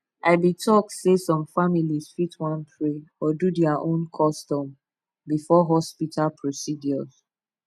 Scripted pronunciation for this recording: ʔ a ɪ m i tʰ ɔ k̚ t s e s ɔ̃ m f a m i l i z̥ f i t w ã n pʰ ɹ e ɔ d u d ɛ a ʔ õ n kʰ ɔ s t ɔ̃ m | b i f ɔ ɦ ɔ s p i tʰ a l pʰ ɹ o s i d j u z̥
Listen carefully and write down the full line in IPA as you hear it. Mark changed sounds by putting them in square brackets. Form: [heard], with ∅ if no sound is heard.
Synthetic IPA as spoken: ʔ a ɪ [b] i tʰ ɔ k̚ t s e s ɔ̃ m f a m i l i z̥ f i t w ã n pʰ ɹ e ɔ d u d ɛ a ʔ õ n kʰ ɔ s t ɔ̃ m | b i f ɔ ɦ ɔ s p i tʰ a l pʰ ɹ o s i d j [ɔ] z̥